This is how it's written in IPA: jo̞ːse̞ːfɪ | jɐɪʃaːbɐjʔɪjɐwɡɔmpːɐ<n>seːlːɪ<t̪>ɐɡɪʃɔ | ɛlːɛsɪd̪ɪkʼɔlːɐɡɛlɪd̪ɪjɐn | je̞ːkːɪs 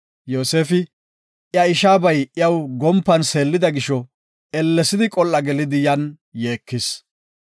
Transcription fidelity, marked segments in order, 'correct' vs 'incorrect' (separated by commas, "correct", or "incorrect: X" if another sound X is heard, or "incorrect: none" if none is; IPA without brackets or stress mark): correct, incorrect: d̪